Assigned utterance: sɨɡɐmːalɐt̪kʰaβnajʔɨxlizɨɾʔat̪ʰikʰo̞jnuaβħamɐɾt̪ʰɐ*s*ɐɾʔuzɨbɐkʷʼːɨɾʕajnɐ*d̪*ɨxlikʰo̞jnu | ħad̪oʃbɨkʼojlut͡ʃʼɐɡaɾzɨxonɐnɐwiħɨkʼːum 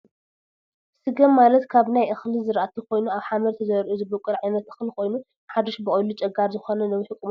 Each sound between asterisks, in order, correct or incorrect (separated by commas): incorrect, incorrect